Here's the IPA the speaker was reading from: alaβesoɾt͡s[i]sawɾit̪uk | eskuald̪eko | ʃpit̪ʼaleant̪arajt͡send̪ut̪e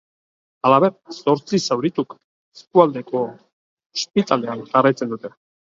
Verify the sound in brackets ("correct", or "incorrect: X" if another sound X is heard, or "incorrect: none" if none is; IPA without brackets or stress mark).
correct